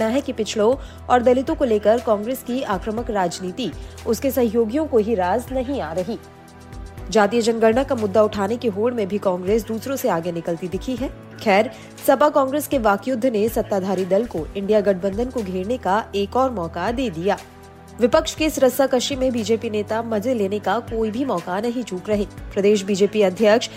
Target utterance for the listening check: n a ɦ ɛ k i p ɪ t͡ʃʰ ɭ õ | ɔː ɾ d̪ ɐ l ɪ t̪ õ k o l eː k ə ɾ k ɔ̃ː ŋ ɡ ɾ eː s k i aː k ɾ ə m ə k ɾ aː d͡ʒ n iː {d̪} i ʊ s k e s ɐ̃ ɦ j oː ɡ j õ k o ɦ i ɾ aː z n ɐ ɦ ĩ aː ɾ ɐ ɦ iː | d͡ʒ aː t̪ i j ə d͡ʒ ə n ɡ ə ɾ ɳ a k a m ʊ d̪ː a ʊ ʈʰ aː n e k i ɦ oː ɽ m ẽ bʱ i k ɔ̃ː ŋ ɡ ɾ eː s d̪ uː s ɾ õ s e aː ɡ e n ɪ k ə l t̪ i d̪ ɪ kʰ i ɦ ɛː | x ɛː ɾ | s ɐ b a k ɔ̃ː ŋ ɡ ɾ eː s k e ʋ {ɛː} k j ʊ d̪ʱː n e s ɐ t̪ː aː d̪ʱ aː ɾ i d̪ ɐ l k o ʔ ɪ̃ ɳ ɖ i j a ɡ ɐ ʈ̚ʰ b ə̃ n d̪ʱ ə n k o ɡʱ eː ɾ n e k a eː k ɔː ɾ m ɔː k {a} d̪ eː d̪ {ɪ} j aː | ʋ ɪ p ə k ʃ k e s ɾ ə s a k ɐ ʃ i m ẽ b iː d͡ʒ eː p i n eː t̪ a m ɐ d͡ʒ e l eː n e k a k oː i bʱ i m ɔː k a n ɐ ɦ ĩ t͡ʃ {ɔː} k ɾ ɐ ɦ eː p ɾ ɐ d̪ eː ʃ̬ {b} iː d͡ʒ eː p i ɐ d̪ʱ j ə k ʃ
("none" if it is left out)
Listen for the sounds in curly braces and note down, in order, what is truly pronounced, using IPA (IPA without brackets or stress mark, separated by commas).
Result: t̪, aː, a, i, uː, b